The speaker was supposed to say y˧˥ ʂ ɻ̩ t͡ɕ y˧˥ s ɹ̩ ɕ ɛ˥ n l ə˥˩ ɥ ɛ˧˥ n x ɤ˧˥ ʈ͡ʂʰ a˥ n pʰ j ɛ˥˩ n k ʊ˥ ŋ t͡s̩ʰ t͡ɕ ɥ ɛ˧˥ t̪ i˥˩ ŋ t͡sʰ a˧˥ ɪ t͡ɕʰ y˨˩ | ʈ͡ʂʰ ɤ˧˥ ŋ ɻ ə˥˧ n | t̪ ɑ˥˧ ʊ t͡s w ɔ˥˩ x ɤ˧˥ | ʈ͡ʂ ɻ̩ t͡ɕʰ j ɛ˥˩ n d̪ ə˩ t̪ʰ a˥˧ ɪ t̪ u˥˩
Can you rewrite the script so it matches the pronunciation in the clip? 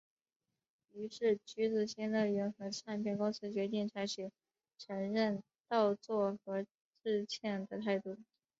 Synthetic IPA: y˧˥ ʂ ɻ̩ t͡ɕ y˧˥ t͡s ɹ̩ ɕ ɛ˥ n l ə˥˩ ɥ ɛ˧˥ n x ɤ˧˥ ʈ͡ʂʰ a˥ n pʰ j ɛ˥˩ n k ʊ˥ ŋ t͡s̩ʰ t͡ɕ ɥ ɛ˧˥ t̪ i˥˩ ŋ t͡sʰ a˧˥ ɪ t͡ɕʰ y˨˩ | ʈ͡ʂʰ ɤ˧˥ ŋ ɻ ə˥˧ n | t̪ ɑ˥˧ ʊ t͡s w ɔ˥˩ x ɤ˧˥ | ʈ͡ʂ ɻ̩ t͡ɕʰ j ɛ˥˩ n d̪ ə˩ t̪ʰ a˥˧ ɪ t̪ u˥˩